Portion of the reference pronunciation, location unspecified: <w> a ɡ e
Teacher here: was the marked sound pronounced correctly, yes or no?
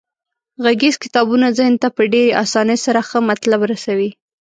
no